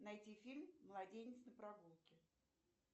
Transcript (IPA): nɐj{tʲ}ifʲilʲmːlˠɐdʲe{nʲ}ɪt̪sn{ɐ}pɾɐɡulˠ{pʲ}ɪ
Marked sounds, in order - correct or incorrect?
correct, correct, incorrect: ə, incorrect: kʲ

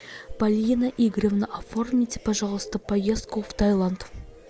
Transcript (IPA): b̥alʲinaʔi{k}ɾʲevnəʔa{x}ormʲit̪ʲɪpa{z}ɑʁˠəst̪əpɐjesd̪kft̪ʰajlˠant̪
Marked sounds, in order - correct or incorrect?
incorrect: ɡ, incorrect: f, incorrect: ʒ

